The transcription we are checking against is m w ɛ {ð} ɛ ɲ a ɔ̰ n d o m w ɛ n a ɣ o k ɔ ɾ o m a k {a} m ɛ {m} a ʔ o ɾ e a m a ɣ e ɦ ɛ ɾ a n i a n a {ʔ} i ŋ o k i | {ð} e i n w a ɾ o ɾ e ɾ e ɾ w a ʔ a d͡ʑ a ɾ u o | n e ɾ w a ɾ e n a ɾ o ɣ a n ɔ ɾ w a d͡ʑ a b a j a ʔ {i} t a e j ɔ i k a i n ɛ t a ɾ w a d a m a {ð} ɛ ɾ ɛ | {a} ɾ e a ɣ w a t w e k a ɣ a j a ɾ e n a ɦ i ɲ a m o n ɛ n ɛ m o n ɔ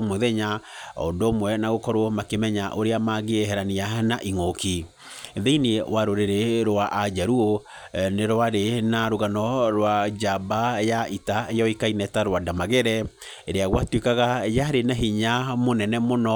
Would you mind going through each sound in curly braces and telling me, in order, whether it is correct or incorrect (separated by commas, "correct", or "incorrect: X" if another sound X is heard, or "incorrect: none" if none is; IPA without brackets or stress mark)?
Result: correct, incorrect: e, incorrect: ɲ, correct, correct, correct, incorrect: ɣ, incorrect: e